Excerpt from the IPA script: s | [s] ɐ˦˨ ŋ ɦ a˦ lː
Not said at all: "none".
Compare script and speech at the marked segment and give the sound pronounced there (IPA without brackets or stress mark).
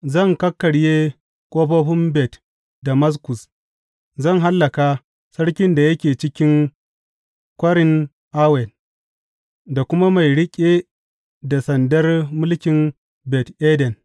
z